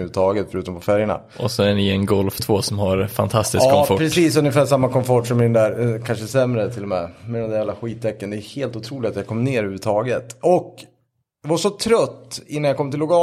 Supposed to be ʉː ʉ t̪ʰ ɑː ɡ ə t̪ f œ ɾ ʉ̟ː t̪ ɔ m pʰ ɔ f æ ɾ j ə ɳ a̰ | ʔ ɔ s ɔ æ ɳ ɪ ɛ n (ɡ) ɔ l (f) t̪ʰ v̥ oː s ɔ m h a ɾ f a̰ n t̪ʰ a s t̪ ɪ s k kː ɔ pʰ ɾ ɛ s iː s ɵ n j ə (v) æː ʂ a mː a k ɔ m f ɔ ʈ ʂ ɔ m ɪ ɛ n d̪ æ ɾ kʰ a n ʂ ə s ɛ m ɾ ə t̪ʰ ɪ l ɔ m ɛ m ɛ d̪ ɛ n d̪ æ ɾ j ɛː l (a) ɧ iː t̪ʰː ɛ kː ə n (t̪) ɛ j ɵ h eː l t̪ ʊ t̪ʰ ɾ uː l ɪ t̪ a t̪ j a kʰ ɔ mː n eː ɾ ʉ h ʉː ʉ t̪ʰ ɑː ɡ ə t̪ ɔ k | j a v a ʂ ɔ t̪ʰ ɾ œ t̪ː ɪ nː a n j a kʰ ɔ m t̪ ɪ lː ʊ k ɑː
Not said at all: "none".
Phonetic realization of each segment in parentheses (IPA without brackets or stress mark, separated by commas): ɡ, f, f, a, d̪